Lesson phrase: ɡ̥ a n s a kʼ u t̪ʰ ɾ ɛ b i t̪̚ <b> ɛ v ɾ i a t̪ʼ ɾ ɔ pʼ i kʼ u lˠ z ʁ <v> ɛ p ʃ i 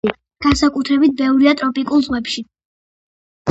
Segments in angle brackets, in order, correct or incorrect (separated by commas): correct, incorrect